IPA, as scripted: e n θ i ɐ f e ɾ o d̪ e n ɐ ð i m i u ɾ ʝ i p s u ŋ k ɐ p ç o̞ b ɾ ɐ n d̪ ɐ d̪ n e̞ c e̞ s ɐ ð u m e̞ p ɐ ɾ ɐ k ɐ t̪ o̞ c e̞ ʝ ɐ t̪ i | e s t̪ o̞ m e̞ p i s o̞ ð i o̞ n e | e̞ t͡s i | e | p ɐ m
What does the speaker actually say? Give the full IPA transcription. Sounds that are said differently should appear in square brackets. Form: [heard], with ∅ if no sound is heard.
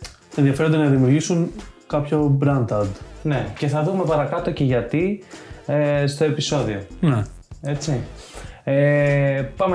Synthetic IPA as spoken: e n [ð] i ɐ f e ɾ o d̪ e n ɐ ð i m i u ɾ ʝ i [∅] s u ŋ k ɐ p ç o̞ b ɾ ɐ n d̪ ɐ d̪ n e̞ c e̞ [θ] ɐ ð u m e̞ p ɐ ɾ ɐ k ɐ t̪ o̞ c e̞ ʝ ɐ t̪ i | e s t̪ o̞ [∅] e̞ p i s o̞ ð i o̞ n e | e̞ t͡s i | e | p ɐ m